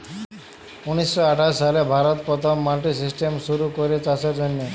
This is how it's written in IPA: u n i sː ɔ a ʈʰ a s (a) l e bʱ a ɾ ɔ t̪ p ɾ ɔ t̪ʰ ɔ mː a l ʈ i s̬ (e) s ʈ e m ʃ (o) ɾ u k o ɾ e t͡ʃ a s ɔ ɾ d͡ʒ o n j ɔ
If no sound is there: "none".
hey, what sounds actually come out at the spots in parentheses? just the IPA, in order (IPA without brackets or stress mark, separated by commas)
a, i, u